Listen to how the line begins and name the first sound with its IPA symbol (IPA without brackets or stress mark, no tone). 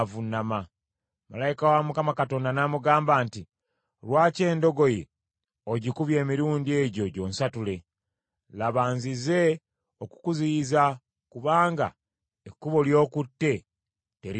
v